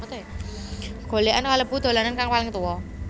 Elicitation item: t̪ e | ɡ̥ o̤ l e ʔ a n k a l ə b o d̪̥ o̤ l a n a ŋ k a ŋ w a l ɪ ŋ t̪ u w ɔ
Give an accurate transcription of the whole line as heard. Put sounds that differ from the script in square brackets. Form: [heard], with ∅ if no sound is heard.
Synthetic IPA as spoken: t̪ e | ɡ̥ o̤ l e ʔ a n k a l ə b [u] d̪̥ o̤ l a n a [n] k a ŋ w a l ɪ ŋ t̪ u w ɔ